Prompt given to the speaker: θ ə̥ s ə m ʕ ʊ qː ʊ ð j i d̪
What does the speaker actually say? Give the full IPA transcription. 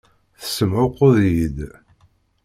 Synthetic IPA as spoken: θ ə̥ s ə m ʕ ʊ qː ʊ ð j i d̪

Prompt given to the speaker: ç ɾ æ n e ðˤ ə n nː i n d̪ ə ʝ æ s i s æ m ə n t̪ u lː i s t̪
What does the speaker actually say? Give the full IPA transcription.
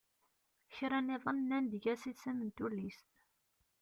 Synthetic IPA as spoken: ç ɾ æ n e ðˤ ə n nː æ n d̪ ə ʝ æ s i s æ m ə n t̪ u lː i s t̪

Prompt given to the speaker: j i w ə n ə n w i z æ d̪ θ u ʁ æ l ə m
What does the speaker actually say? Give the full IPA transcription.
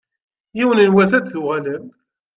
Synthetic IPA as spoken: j i w ə n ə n w æ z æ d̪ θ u ʁ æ l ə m

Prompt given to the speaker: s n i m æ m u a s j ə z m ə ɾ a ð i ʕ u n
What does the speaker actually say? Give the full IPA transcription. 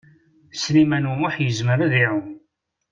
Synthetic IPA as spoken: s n i m æ n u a ħ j ə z m ə ɾ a ð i ʕ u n

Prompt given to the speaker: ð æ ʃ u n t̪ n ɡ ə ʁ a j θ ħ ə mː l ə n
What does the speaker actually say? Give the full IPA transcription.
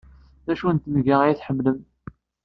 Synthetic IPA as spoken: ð æ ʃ u n t̪ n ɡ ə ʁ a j θ ħ ə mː l ə m

